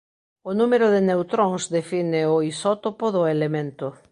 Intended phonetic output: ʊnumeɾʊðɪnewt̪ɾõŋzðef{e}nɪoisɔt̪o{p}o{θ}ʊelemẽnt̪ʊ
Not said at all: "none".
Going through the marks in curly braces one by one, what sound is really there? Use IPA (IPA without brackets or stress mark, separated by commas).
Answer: i, p, ð